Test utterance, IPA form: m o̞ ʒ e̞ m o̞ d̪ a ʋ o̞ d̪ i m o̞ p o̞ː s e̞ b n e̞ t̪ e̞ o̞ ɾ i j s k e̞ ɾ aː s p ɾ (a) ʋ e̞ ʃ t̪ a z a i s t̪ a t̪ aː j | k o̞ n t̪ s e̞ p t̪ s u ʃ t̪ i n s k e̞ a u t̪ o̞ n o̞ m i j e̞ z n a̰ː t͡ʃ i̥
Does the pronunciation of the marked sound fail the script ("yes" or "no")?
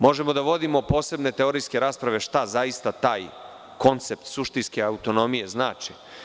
no